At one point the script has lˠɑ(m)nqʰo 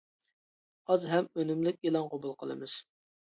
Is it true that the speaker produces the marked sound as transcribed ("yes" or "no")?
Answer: no